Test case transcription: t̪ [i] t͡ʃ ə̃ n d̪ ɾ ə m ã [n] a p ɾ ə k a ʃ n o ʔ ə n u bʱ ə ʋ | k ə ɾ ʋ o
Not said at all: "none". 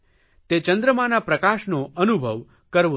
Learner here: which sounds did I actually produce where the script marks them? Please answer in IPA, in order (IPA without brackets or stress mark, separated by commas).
e, n